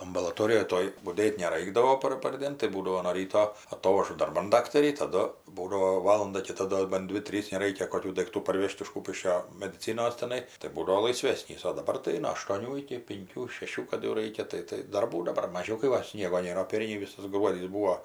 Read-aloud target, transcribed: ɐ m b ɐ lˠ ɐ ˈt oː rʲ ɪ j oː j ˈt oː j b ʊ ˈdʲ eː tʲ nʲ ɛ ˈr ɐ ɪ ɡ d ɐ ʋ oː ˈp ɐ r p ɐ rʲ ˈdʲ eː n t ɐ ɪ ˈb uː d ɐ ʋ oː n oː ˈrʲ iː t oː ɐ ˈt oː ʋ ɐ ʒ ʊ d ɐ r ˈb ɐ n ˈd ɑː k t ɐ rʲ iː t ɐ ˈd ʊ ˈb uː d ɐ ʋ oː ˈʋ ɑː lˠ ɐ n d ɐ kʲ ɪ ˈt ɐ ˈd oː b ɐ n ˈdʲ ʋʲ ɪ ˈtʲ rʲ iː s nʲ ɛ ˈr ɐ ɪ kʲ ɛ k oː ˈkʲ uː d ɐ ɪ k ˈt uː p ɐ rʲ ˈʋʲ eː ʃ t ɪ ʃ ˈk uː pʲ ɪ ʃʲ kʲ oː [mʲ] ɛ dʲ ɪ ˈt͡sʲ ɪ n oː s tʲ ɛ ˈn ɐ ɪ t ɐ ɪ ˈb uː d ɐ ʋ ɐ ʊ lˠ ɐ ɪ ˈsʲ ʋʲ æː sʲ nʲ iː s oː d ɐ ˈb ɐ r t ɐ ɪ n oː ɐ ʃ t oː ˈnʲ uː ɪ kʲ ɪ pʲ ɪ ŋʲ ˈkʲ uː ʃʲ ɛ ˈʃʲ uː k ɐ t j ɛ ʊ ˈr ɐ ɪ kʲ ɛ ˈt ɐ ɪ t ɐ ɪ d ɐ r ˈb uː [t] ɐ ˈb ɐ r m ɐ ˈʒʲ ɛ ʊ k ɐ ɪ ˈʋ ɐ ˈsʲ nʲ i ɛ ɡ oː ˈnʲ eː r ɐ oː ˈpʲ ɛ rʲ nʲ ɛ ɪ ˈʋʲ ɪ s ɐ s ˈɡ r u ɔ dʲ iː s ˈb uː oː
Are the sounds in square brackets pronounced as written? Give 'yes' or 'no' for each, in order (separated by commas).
yes, no